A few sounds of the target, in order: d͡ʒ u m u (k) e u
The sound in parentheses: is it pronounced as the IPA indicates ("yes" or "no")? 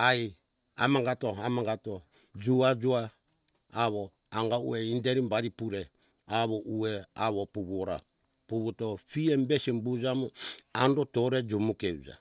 yes